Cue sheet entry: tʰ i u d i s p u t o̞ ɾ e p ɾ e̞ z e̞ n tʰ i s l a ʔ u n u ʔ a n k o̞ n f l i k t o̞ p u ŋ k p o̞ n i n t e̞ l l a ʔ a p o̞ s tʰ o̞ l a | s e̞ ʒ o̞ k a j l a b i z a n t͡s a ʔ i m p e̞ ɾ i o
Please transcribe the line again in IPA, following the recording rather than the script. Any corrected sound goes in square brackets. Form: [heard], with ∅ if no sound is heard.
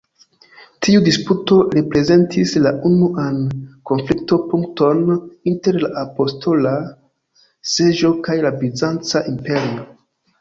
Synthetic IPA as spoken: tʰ i u d i s p u t o̞ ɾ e p ɾ e̞ z e̞ n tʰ i s l a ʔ u n u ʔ a n k o̞ n f l i k t o̞ p u ŋ k [t] o̞ n i n t e̞ [ɾ] l a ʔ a p o̞ s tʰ o̞ l a | s e̞ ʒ o̞ k a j l a b i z a n t͡s a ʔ i m p e̞ ɾ i o